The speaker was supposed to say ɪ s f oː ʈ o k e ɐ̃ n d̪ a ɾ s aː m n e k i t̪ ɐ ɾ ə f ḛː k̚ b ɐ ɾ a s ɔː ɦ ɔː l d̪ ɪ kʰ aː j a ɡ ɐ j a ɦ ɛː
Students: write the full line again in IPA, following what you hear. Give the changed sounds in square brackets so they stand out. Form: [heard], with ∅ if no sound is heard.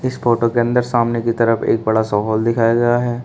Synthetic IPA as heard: ɪ s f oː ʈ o k e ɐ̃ n d̪ [ə] ɾ s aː m n e k i t̪ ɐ ɾ ə f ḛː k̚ b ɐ [ɽ] a s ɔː ɦ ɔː l d̪ ɪ kʰ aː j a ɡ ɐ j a ɦ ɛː